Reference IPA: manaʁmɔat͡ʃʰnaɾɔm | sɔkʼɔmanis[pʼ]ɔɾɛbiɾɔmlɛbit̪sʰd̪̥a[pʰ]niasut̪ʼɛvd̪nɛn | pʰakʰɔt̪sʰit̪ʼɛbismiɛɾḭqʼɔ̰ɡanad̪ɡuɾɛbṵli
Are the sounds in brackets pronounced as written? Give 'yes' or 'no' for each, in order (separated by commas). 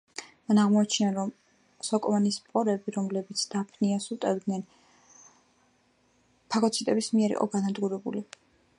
yes, yes